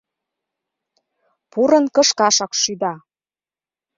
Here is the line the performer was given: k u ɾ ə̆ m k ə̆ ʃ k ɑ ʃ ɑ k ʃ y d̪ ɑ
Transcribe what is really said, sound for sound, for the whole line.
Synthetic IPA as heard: p u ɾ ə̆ n k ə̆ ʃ k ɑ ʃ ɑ k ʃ y d̪ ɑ